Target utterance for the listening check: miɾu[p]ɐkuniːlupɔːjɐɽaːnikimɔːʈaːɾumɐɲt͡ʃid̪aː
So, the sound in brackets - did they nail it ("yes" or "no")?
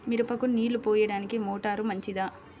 yes